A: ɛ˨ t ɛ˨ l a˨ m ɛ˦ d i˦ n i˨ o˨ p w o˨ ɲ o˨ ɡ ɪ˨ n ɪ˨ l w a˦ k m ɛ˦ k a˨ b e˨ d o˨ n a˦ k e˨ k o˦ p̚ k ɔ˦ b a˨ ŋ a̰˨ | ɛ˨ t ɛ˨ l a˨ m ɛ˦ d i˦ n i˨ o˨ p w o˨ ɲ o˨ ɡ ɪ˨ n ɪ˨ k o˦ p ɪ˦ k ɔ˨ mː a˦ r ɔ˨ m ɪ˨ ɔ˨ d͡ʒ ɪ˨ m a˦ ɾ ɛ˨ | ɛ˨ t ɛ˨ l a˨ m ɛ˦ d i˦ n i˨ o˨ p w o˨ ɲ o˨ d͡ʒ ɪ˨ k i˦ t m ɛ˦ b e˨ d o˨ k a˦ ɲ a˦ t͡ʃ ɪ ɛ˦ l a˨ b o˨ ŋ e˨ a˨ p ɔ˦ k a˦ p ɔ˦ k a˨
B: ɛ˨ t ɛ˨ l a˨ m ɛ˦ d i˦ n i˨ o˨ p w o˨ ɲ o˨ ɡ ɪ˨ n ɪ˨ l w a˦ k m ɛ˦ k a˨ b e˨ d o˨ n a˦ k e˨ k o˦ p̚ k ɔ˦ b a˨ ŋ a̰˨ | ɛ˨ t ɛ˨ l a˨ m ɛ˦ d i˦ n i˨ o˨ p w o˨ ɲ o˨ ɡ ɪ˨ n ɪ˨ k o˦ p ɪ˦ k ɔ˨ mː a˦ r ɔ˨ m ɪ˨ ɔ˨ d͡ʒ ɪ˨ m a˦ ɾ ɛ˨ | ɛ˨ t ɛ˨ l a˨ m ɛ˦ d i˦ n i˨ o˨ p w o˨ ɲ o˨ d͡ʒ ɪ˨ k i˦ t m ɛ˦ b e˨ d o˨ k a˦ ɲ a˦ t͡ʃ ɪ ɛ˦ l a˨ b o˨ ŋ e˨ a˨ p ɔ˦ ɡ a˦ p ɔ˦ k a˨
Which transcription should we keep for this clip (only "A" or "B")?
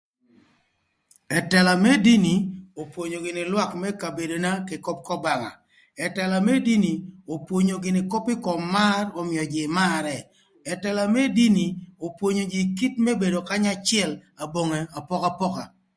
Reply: A